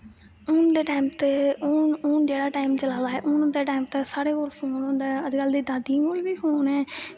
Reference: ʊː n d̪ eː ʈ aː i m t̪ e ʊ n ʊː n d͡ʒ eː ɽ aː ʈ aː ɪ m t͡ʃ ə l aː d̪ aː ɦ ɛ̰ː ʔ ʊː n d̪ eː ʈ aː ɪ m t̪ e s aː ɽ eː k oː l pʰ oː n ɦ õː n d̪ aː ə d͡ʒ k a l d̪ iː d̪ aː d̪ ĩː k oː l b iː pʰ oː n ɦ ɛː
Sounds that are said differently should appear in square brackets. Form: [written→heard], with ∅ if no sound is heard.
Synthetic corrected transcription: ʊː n d̪ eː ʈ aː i m t̪ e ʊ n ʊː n d͡ʒ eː ɽ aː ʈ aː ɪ m t͡ʃ ə l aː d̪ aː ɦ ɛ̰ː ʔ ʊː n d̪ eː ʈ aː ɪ m t̪ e s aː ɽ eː k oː l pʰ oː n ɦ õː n d̪ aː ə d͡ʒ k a l d̪ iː d̪ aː d̪ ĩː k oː l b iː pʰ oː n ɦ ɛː